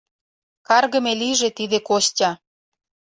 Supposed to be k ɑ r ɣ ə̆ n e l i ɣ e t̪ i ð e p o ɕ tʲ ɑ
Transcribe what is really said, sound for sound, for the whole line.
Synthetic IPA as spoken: k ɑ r ɣ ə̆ m e l i ʒ e t̪ i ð e k o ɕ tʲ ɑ